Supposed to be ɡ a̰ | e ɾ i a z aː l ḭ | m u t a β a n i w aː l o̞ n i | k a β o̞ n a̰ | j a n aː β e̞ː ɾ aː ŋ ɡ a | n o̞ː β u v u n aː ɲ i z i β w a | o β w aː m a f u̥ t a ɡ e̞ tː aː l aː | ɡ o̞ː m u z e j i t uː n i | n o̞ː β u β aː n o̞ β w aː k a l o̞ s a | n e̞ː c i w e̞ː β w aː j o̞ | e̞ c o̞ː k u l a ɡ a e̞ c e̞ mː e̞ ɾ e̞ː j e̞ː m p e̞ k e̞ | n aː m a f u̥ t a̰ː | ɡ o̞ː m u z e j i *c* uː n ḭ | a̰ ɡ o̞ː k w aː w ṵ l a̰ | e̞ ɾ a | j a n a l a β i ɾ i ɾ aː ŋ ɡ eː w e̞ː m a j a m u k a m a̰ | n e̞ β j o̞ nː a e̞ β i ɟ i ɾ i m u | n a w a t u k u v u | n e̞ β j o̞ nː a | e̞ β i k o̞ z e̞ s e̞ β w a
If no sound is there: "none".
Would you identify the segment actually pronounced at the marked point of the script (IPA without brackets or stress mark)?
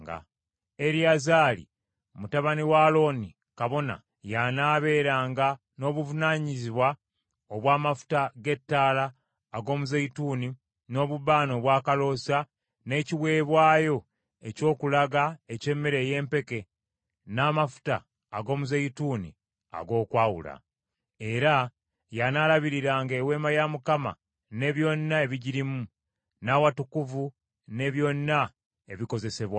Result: t